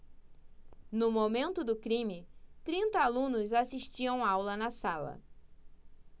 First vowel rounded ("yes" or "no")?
yes